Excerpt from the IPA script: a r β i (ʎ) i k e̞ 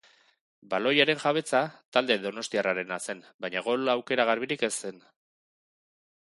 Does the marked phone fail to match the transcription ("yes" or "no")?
yes